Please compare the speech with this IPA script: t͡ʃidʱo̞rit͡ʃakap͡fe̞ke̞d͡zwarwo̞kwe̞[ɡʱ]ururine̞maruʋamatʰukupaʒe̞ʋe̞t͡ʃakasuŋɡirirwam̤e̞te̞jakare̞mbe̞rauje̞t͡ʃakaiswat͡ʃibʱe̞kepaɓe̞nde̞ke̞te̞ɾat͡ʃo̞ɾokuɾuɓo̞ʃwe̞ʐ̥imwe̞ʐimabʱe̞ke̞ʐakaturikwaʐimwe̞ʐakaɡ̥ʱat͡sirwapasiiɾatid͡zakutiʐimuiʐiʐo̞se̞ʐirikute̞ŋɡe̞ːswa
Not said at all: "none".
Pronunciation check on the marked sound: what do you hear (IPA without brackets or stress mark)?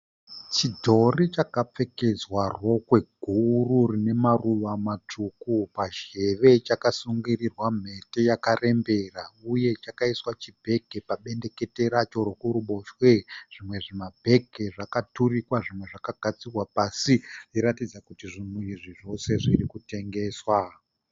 ɡʱ